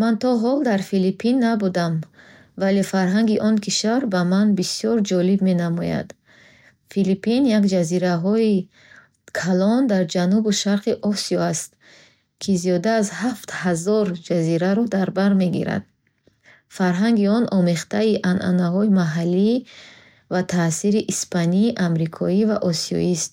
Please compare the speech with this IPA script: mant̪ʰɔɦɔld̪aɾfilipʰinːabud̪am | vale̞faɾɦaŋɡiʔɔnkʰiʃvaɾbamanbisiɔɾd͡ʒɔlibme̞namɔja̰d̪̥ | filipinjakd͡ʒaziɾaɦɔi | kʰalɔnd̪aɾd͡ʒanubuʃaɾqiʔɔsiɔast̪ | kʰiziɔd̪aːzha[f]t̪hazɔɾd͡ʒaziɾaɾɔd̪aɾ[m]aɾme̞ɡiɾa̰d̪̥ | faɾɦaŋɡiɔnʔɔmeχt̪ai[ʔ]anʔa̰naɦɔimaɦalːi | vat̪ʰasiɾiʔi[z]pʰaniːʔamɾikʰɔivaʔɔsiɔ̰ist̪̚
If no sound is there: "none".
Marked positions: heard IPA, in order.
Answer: f, b, ʔ, s

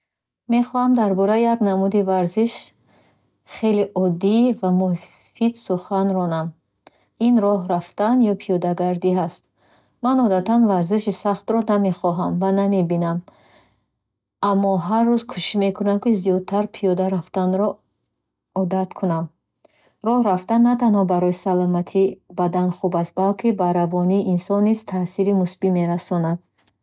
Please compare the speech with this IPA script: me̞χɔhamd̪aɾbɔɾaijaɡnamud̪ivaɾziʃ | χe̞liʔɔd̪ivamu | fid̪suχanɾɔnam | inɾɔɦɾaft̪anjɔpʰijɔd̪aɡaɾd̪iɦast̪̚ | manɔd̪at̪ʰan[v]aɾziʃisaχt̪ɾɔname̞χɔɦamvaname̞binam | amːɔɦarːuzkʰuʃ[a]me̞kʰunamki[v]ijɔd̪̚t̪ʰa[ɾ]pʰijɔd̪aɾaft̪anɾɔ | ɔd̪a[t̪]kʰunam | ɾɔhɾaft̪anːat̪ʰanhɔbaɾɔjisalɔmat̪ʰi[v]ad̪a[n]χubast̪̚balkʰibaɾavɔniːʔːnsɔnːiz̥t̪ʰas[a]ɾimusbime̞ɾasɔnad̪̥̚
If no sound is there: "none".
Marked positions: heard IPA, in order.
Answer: v, i, z, ɾ, t̪, b, n, i

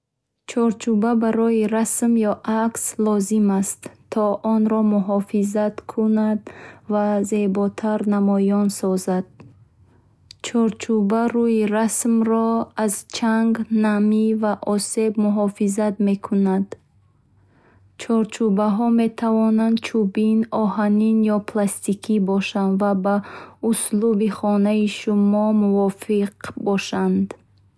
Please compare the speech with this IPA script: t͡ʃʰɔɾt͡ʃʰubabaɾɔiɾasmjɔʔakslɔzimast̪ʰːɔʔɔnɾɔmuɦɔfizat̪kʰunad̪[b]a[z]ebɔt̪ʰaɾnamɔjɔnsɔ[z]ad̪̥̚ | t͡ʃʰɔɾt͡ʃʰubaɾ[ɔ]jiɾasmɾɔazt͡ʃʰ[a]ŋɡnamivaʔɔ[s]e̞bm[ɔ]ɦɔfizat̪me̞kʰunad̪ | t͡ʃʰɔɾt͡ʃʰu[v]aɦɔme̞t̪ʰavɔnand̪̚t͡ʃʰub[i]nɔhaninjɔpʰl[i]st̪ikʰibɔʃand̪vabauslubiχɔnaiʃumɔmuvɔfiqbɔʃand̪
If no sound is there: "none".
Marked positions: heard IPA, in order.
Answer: v, z, z, u, a, s, u, b, i, a

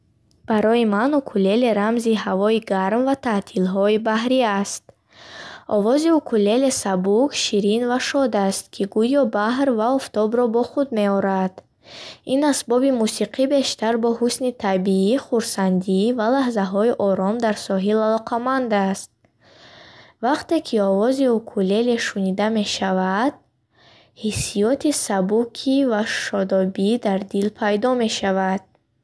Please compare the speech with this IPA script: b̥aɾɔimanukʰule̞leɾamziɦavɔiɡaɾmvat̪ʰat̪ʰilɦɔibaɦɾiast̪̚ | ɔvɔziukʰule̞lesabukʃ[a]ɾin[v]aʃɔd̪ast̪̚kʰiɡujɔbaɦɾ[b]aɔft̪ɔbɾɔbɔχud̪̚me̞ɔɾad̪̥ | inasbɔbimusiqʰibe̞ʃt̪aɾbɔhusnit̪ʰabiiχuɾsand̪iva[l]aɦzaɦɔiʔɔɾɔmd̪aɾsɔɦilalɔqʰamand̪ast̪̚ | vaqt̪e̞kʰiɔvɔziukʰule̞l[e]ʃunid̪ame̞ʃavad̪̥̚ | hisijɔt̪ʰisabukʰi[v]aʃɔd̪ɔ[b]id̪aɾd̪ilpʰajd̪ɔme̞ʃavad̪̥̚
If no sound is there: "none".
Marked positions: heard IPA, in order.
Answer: i, v, v, l, e, v, b

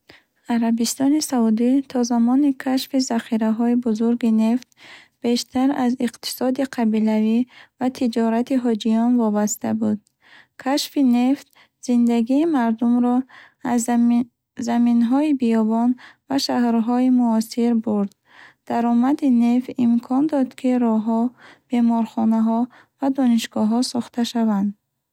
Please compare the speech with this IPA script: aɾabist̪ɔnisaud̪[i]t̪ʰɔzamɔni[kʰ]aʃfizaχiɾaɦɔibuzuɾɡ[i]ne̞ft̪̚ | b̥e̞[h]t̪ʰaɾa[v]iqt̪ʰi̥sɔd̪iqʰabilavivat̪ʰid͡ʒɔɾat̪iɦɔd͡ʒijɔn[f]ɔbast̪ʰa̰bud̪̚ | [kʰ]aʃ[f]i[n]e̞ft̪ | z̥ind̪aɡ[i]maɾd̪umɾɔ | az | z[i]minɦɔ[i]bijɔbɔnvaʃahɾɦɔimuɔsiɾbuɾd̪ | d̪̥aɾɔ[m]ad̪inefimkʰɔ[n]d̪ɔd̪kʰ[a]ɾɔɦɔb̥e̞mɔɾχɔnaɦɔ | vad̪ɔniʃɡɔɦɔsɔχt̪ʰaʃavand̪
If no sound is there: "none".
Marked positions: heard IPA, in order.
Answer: i, kʰ, i, ʃ, z, v, kʰ, f, n, iː, a, i, m, n, i

